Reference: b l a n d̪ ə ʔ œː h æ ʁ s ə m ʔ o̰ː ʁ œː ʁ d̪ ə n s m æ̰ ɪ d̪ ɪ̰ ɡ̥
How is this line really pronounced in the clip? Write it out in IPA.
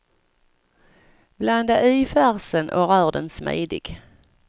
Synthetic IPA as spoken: b l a n d̪ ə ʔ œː f æ ʁ s ə n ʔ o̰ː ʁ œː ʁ d̪ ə n s m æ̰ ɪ d̪ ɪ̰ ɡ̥